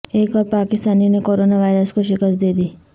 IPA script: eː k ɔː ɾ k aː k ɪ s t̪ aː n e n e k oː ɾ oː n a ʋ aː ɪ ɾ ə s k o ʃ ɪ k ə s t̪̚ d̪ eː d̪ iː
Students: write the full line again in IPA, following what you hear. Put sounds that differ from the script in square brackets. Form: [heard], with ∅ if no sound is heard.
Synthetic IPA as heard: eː k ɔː ɾ [p] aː k ɪ s t̪ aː n [i] n e k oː ɾ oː n a ʋ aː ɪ ɾ ə s k o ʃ ɪ k ə s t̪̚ d̪ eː d̪ iː